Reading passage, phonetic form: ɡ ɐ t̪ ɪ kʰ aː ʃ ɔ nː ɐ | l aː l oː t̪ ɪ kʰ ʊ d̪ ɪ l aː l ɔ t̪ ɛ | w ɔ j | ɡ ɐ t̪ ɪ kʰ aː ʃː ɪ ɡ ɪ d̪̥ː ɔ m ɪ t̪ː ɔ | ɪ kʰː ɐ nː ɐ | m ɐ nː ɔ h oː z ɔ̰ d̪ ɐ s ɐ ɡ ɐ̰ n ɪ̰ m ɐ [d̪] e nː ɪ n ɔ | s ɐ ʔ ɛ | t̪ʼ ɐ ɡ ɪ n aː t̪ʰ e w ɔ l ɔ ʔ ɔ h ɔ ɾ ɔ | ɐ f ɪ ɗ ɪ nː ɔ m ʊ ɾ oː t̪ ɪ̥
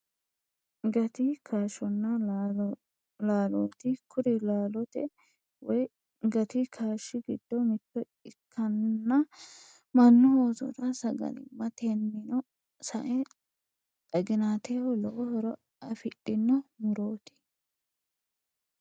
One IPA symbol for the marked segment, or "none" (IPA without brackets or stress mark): t̪